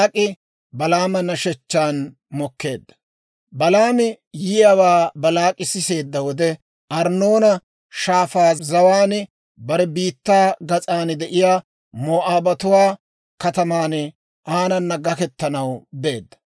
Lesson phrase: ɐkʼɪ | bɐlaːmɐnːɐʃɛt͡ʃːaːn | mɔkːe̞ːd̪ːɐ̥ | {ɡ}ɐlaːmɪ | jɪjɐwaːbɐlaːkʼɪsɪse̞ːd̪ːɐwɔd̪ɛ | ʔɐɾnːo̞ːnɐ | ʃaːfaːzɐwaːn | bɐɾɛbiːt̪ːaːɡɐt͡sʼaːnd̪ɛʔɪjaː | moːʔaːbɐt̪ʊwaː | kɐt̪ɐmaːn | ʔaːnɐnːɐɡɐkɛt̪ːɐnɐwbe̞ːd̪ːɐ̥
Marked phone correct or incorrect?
incorrect